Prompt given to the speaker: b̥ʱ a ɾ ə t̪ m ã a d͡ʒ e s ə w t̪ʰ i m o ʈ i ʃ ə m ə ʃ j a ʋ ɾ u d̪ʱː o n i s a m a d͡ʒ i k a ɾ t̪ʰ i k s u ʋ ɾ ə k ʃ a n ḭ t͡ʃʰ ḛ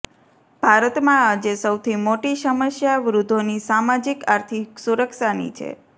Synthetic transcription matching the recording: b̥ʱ a ɾ ə t̪ m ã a d͡ʒ e s ə w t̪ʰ i m o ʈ i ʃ ə m ə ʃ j a ʋ ɾ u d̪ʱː o n i s a m a d͡ʒ i k a ɾ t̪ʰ i k s u ɾ ə k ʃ a n ḭ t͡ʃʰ ḛ